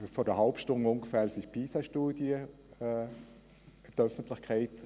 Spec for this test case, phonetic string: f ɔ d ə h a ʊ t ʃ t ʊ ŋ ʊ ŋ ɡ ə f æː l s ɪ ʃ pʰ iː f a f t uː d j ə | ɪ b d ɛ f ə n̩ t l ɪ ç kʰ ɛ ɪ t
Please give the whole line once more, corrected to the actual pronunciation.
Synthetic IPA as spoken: f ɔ d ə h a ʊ p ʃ t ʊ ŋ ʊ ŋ ɡ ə f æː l s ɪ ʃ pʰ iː s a ʃ t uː d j ə | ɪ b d œ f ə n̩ t l ɪ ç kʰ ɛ ɪ t